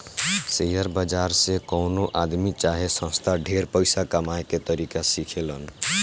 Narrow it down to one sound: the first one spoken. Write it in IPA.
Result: s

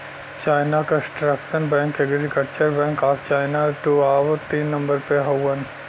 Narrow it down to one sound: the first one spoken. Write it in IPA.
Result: t͡ʃ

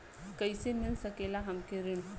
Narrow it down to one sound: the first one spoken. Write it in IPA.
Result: k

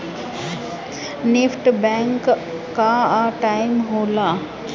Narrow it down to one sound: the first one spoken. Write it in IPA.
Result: n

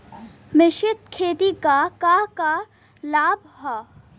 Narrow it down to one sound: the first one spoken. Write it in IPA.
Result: m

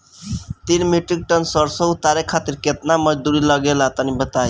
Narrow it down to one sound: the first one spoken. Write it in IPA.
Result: t̪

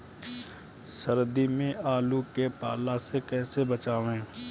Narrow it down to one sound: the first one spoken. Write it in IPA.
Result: s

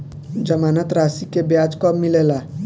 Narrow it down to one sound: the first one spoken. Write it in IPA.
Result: d͡ʒ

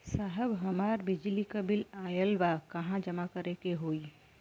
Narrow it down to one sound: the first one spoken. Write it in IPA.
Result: s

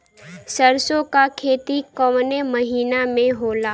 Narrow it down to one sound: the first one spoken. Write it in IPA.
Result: s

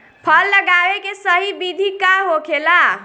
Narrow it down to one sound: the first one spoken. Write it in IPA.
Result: pʰ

